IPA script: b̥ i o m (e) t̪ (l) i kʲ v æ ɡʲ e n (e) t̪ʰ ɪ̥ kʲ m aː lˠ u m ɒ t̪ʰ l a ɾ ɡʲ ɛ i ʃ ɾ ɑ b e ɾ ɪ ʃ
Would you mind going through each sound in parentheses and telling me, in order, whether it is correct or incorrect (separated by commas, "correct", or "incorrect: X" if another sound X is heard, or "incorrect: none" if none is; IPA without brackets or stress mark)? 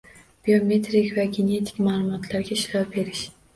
correct, incorrect: ɾ, correct